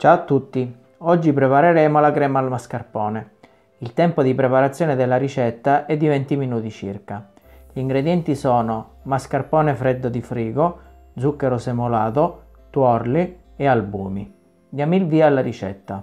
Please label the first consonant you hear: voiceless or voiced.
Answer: voiceless